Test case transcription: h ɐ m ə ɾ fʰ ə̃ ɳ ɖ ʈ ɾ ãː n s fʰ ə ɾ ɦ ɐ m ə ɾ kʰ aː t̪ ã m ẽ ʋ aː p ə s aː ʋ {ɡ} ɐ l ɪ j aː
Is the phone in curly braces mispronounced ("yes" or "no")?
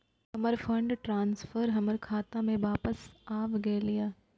no